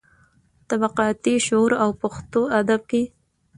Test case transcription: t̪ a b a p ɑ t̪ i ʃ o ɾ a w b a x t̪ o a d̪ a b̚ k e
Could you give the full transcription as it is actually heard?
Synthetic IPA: t̪ a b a q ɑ t̪ i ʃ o ɾ a w p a x t̪ o a d̪ a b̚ k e